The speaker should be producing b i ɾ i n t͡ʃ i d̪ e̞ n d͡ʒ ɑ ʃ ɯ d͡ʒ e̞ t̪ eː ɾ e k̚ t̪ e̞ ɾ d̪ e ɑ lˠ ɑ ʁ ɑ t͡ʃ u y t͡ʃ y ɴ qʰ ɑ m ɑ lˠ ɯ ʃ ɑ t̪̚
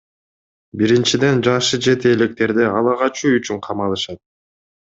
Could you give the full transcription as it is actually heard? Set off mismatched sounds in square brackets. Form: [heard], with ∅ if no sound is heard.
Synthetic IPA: b i ɾ i n t͡ʃ i d̪ e̞ n d͡ʒ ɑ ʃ ɯ d͡ʒ e̞ t̪ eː [l] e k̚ t̪ e̞ ɾ d̪ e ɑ lˠ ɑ ʁ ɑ t͡ʃ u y t͡ʃ y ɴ qʰ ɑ m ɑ lˠ ɯ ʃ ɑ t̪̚